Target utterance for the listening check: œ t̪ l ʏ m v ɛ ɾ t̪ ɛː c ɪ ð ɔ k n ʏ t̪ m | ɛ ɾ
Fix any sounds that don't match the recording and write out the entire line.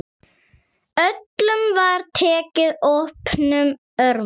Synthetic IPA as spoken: œ t̪ l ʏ m v a ɾ t̪ʰ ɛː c ɪ ð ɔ p n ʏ m | œ ɾ